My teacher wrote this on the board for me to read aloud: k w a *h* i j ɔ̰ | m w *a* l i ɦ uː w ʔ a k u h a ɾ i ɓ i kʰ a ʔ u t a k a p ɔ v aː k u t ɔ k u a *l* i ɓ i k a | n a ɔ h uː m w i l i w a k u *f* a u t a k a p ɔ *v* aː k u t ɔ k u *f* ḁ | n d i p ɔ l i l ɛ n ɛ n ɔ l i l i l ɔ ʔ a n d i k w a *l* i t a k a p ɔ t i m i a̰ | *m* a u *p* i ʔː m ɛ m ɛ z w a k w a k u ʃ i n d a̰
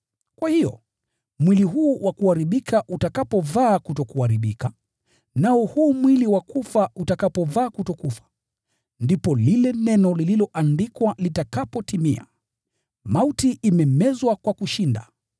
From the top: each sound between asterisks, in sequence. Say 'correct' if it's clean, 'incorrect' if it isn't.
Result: correct, incorrect, incorrect, correct, correct, correct, correct, correct, incorrect

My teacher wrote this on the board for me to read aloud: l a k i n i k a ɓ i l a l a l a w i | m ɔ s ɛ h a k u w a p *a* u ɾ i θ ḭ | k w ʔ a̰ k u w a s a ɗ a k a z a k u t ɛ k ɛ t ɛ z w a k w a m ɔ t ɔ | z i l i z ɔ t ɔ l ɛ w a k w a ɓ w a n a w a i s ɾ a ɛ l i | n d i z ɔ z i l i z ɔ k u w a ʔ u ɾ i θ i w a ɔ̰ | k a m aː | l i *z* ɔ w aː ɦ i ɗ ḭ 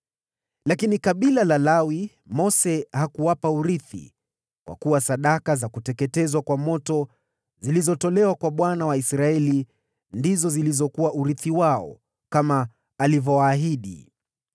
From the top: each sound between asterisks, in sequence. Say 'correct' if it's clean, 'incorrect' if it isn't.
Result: correct, incorrect

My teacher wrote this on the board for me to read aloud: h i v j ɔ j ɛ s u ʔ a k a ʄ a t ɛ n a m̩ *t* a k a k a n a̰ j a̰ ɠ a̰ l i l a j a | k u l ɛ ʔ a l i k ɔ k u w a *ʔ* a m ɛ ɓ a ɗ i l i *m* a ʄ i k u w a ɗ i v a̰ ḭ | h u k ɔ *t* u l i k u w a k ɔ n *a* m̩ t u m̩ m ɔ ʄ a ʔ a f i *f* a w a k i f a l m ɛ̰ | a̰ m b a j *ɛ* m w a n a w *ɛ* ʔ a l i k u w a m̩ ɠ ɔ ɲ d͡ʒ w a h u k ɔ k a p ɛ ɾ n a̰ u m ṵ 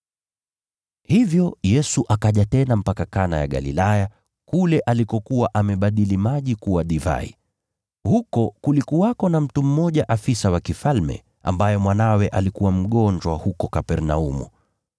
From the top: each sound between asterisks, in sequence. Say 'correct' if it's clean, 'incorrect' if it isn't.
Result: incorrect, correct, correct, incorrect, correct, incorrect, correct, correct

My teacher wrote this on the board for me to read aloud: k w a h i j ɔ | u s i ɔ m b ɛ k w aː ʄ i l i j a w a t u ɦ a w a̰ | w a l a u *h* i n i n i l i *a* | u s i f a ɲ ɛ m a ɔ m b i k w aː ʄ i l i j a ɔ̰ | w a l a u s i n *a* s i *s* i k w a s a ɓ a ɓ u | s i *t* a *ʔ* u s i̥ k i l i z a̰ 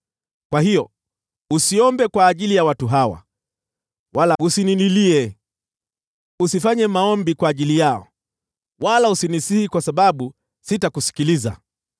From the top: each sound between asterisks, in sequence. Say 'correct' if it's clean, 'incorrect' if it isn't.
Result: incorrect, incorrect, incorrect, incorrect, correct, incorrect

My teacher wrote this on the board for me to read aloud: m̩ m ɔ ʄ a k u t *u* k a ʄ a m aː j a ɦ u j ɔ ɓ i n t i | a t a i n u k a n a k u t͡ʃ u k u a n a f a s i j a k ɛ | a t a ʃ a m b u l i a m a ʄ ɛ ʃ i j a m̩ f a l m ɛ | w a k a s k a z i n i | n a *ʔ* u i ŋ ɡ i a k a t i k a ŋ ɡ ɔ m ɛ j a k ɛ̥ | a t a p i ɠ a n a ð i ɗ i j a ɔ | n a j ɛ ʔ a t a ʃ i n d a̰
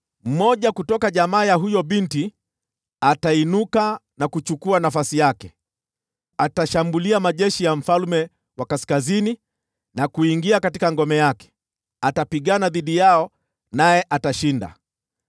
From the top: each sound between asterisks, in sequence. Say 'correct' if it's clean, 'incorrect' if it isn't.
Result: incorrect, incorrect

